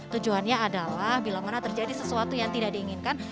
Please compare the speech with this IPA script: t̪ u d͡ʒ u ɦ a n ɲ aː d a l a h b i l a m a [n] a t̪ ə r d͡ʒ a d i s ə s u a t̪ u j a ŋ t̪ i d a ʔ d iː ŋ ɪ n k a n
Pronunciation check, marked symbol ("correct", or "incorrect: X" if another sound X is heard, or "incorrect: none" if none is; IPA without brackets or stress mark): correct